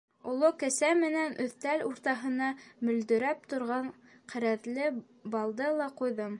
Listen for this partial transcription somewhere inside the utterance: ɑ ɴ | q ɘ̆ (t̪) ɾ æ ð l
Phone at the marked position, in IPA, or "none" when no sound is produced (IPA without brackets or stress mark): none